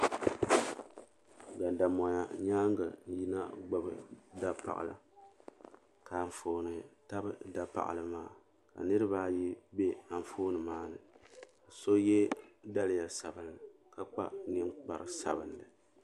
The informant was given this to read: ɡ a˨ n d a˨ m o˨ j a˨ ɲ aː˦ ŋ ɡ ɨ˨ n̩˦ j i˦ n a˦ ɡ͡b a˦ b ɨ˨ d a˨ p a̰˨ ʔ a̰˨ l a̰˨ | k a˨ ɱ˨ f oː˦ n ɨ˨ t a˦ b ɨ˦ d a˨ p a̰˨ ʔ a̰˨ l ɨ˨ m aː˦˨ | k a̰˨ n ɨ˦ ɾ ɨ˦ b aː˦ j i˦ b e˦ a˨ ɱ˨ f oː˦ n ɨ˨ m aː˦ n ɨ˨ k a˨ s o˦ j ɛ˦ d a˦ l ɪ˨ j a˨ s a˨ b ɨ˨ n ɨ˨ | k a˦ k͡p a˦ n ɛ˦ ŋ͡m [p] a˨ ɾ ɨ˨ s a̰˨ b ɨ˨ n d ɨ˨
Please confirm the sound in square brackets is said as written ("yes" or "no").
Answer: no